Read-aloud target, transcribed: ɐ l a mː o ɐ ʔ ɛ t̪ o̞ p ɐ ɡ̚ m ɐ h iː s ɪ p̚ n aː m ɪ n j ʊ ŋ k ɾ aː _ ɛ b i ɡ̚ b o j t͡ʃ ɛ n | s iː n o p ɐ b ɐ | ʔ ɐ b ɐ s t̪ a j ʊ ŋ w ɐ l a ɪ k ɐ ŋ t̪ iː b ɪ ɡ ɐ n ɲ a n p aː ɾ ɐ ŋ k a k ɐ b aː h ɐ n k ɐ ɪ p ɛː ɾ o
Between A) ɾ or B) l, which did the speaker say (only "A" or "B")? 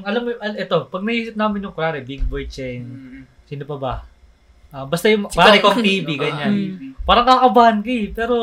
A